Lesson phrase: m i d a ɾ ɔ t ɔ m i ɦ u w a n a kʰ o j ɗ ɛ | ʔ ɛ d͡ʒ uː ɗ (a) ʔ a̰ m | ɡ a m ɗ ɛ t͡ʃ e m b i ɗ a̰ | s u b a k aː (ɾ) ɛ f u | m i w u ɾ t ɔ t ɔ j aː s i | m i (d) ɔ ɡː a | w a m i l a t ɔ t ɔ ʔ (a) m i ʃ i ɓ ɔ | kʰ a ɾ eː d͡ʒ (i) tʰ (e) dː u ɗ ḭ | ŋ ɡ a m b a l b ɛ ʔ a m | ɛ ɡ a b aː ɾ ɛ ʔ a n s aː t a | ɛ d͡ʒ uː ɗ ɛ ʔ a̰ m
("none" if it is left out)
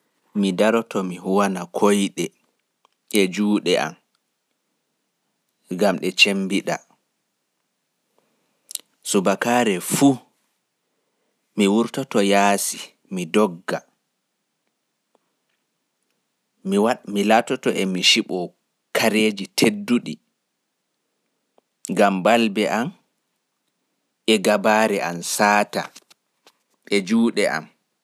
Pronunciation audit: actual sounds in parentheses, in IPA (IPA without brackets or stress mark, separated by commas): ɛ, ɾ, d, ɛ, i, e